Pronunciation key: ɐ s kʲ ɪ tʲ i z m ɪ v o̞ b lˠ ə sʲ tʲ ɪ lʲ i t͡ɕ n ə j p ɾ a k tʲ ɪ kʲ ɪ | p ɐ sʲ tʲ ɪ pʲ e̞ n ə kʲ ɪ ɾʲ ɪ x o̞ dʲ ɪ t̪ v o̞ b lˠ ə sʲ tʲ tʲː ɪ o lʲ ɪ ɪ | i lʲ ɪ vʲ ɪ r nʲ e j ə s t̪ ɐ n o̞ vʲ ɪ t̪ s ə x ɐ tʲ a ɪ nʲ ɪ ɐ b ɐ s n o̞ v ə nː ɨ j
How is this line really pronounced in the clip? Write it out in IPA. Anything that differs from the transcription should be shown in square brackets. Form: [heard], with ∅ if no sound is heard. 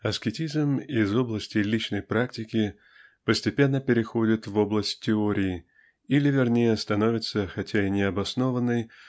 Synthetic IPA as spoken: ɐ s kʲ ɪ tʲ i z m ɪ [z] o̞ b lˠ ə sʲ tʲ ɪ lʲ i t͡ɕ n ə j p ɾ a k tʲ ɪ kʲ ɪ | p [ə] sʲ tʲ ɪ pʲ e̞ [nː] ə [pʲ] ɪ ɾʲ ɪ x o̞ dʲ ɪ t̪ v o̞ b lˠ ə sʲ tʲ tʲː ɪ o [ɾʲ] ɪ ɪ | i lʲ ɪ vʲ ɪ r nʲ e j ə s t̪ ɐ n o̞ vʲ ɪ t̪ s ə x ɐ tʲ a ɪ nʲ ɪ ɐ b ɐ s n o̞ v ə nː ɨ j